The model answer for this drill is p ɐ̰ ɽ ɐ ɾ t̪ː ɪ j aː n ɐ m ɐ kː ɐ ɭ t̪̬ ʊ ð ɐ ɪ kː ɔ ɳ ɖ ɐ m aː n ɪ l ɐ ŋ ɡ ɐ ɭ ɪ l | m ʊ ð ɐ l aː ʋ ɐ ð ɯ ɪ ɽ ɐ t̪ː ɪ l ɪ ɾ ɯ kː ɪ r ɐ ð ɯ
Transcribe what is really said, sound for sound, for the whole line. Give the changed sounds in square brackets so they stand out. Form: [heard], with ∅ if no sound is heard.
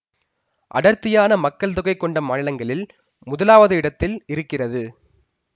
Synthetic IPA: [ʔ] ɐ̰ ɽ ɐ ɾ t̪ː ɪ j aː n ɐ m ɐ kː ɐ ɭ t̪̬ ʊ [ɣ] ɐ ɪ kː ɔ ɳ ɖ ɐ m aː n ɪ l ɐ ŋ ɡ ɐ ɭ ɪ l | m ʊ ð ɐ l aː ʋ ɐ ð ɯ ɪ ɽ ɐ t̪ː ɪ l ɪ ɾ ɯ kː ɪ r ɐ ð ɯ